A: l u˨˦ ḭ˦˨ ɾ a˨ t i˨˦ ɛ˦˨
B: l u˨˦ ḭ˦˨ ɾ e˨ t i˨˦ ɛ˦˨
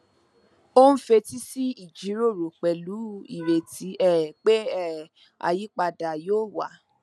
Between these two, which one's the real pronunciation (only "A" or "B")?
B